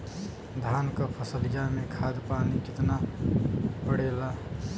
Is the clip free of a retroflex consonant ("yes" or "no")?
no